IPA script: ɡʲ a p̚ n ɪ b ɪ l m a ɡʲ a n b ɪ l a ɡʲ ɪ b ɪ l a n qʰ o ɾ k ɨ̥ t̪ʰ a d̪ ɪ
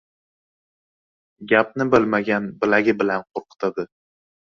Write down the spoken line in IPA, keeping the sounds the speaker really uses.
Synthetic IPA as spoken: ɡʲ a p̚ n ɪ b ɪ l m a ɡʲ a n b ɪ l a ɡʲ ɪ b ɪ l a n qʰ o ɾ q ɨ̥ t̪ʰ a d̪ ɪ